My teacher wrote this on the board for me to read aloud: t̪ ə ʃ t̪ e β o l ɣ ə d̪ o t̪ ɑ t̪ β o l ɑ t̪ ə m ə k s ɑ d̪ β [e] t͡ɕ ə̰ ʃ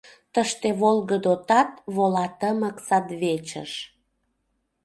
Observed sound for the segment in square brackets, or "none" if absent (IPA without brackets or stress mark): e